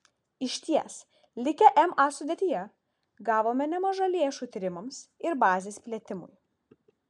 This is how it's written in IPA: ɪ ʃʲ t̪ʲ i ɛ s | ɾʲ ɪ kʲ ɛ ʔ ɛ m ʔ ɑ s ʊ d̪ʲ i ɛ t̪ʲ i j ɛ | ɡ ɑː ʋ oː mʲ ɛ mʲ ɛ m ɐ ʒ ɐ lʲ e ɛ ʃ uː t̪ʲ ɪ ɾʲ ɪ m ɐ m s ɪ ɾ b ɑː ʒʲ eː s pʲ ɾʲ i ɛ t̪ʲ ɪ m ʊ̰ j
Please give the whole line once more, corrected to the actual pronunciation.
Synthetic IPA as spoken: ɪ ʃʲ t̪ʲ i ɛ s | lʲ ɪ kʲ ɛ ʔ ɛ m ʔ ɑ s ʊ d̪ʲ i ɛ t̪ʲ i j ɛ | ɡ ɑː ʋ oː mʲ ɛ nʲ ɛ m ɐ ʒ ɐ lʲ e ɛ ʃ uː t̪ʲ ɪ ɾʲ ɪ m ɐ m s ɪ ɾ b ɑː zʲ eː s pʲ lʲ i ɛ t̪ʲ ɪ m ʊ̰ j

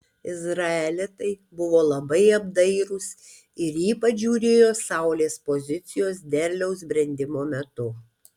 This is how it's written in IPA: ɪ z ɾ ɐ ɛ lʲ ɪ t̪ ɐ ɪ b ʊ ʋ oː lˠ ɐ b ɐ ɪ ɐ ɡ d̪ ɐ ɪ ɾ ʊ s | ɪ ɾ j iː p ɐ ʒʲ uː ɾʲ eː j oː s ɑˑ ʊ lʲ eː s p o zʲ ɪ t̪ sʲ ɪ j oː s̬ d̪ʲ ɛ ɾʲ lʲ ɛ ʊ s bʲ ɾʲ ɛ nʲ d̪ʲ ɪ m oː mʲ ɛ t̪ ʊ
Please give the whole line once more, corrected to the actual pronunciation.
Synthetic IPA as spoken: ɪ z ɾ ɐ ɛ lʲ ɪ t̪ ɐ ɪ b ʊ ʋ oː lˠ ɐ b ɐ ɪ ɐ b d̪ ɐ ɪ ɾ ʊ s | ɪ ɾ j iː p ɐ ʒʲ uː ɾʲ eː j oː s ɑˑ ʊ lʲ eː s p o zʲ ɪ t̪ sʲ ɪ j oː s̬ d̪ʲ ɛ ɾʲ lʲ ɛ ʊ s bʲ ɾʲ ɛ nʲ d̪ʲ ɪ m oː mʲ ɛ t̪ ʊ

